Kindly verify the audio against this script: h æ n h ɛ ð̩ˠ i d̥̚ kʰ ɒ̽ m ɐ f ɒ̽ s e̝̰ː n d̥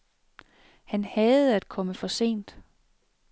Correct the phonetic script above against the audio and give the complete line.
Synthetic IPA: h æ n h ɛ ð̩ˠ æ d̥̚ kʰ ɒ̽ m ə f ɒ̽ s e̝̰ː n d̥